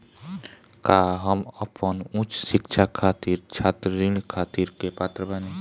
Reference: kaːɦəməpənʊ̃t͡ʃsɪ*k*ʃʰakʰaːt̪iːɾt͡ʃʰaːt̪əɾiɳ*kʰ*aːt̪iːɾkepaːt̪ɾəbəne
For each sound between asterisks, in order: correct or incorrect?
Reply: correct, correct

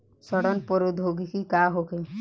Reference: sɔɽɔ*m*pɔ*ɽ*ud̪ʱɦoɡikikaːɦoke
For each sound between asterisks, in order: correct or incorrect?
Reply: incorrect: n, incorrect: ɾ

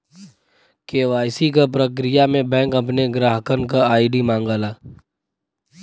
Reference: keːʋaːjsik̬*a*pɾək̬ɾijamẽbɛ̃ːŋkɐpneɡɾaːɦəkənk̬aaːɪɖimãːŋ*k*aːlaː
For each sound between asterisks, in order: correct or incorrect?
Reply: correct, incorrect: ɡ

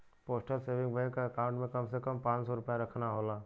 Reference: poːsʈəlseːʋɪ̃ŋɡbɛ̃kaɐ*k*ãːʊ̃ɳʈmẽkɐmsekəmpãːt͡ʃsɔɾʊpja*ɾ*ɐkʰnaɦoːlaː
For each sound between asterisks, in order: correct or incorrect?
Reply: correct, correct

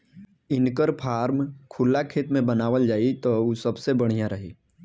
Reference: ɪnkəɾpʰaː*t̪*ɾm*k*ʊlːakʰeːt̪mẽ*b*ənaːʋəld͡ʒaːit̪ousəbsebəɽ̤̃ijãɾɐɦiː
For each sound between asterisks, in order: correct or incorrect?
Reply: incorrect: none, incorrect: kʰ, correct

